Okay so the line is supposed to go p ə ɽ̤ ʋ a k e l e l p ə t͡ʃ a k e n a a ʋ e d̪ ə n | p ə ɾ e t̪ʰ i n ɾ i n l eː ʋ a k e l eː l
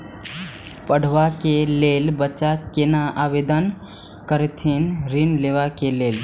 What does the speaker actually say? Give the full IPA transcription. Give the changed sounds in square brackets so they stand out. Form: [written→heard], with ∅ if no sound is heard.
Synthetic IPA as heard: p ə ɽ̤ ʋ a k e l e l [p→b] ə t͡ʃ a k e n a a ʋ e d̪ ə n | [p→k] ə ɾ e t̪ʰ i n ɾ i n l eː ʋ a k e l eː l